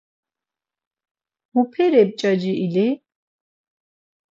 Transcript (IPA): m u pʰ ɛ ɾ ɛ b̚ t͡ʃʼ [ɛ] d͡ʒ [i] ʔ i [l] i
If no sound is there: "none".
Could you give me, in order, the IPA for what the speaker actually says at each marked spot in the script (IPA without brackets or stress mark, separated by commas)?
a, i, l